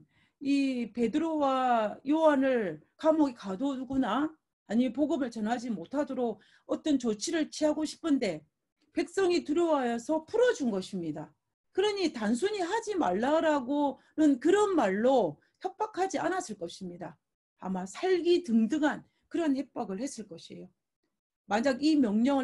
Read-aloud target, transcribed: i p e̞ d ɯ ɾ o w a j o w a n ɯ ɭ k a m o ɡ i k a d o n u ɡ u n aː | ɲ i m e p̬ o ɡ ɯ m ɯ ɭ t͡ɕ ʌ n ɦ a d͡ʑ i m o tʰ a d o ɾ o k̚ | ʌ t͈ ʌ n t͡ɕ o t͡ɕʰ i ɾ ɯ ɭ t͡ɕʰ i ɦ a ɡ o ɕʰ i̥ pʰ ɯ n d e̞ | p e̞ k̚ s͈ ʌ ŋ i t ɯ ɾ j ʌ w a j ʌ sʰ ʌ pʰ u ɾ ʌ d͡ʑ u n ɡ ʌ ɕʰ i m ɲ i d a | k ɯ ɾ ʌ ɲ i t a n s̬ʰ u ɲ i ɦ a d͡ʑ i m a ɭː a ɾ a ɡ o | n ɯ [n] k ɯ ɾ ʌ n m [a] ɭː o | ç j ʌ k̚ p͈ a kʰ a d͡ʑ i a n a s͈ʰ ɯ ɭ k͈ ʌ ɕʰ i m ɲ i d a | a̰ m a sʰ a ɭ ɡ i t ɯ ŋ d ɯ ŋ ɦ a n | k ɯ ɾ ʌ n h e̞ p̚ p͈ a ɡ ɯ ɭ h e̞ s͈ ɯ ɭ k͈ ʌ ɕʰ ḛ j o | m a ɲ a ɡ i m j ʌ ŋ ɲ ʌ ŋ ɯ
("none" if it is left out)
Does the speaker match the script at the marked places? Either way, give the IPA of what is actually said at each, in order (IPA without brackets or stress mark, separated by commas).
n, a